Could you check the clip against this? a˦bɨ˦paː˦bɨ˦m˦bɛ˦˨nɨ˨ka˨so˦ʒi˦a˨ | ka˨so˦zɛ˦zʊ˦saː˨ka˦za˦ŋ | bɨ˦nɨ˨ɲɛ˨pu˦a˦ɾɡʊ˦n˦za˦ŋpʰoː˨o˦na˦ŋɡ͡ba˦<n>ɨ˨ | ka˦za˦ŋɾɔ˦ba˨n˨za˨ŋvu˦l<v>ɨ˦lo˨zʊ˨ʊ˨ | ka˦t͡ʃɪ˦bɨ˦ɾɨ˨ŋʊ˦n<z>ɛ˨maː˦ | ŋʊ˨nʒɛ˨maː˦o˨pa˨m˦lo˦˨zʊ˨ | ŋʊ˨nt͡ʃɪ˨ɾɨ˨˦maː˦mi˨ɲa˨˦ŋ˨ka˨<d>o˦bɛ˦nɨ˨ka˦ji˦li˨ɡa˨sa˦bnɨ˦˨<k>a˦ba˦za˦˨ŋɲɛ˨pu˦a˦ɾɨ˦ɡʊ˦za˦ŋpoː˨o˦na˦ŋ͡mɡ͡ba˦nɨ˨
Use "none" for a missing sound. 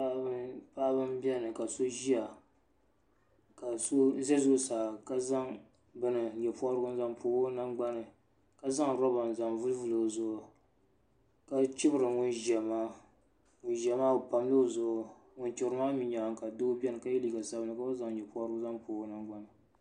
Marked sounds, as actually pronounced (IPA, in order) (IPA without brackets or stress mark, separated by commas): n, v, ʒ, d, k